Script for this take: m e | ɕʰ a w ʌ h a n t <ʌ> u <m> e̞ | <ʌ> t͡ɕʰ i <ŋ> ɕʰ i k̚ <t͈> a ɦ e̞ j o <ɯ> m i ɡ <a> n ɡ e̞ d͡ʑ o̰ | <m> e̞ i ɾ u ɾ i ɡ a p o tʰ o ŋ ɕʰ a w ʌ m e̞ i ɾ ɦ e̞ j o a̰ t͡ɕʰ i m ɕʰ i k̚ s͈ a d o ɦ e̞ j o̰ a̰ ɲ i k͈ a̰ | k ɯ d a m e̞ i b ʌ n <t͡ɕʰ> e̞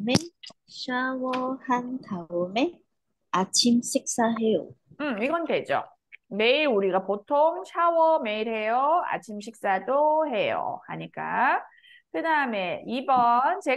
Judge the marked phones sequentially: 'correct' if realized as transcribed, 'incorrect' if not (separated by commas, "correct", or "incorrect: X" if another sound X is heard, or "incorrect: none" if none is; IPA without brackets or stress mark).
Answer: incorrect: a, correct, incorrect: a, incorrect: m, incorrect: s͈, correct, incorrect: ʌ, correct, incorrect: t͡ɕ